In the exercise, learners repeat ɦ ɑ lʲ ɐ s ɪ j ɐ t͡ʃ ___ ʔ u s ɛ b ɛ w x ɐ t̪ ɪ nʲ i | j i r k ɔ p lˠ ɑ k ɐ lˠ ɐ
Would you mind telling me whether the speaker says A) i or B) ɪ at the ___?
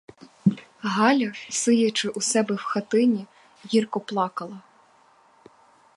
B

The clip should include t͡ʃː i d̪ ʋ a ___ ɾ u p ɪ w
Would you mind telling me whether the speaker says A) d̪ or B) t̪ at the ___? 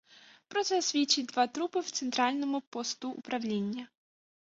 B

